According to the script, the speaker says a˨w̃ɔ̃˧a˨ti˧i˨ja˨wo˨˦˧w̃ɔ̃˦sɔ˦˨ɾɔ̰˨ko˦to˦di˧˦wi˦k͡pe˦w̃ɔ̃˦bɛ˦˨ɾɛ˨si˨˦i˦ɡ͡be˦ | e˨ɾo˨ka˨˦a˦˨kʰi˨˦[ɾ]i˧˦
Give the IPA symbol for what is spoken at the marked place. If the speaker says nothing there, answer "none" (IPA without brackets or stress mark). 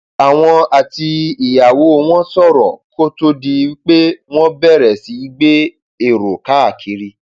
ɾ